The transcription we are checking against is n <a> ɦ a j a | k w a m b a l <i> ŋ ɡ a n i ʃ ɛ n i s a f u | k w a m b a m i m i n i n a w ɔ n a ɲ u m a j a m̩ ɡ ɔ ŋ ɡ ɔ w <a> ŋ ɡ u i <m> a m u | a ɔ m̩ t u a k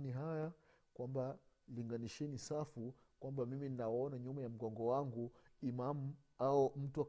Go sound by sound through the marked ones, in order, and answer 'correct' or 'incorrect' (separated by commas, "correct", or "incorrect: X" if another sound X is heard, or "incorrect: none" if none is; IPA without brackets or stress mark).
incorrect: i, correct, correct, correct